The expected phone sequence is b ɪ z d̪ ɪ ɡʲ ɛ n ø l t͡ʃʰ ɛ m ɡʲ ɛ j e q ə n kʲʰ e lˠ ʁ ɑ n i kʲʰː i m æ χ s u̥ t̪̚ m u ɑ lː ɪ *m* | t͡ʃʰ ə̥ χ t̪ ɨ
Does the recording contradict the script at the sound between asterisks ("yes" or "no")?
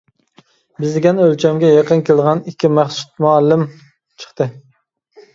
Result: no